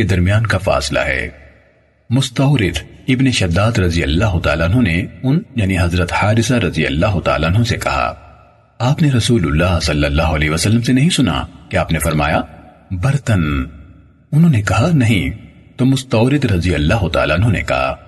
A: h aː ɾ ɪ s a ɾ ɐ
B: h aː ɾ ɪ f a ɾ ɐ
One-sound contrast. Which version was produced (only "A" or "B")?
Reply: A